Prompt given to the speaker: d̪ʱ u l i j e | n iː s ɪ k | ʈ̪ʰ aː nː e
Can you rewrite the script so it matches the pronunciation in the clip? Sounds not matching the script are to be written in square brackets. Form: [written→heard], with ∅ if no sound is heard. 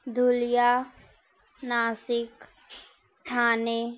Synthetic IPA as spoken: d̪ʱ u l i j [e→a] | n [iː→aː] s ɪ k | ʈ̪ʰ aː [nː→n] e